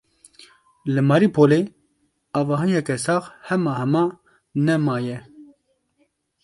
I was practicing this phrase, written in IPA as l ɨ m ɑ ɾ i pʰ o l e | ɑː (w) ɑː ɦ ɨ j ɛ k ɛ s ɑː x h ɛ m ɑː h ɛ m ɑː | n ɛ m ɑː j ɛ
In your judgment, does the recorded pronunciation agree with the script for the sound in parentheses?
no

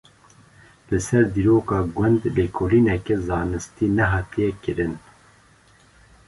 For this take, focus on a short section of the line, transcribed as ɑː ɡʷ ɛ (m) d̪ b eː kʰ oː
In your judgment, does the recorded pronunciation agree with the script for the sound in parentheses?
no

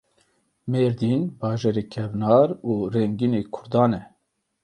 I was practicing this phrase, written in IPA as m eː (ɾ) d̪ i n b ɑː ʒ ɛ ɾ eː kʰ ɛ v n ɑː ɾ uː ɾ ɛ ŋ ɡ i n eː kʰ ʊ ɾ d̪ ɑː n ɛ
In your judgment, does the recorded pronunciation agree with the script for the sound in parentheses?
yes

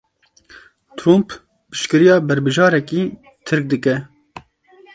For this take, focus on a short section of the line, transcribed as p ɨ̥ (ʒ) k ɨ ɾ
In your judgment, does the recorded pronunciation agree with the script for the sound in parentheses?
no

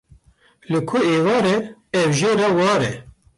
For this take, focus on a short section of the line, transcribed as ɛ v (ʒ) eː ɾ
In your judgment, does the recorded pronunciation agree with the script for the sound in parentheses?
yes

